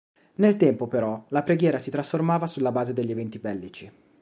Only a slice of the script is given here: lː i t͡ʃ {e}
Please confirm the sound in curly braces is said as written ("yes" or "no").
no